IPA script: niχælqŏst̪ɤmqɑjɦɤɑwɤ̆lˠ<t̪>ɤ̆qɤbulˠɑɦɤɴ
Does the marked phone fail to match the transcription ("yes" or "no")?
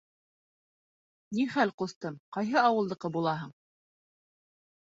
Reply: yes